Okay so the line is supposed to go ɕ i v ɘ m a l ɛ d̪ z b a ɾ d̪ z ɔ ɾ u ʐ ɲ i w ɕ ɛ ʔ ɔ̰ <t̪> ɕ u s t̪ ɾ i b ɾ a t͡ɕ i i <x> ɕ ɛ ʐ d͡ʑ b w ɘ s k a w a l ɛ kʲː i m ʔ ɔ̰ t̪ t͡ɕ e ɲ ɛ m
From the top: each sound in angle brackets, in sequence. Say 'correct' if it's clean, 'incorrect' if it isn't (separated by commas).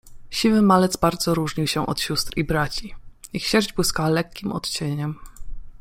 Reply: correct, correct